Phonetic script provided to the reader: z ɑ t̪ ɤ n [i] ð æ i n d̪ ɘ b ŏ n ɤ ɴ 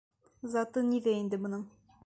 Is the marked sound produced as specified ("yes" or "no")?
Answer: yes